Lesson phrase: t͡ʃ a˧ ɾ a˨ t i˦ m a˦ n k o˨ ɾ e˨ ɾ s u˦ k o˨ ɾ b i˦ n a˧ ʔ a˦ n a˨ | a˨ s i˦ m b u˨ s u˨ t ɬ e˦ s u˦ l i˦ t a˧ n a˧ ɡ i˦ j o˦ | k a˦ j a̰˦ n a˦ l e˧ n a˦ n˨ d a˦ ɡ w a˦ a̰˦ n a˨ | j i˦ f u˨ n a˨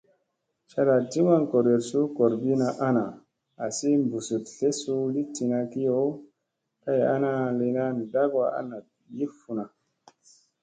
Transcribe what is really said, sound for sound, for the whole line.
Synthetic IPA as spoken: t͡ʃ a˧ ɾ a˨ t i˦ m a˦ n k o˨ ɾ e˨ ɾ s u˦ k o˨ ɾ b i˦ n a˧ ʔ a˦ n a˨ | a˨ s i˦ m b u˨ s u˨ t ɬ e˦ s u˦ l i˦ t i˧ n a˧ k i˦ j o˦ | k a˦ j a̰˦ n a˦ l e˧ n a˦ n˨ d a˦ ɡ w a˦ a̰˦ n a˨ | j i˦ f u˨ n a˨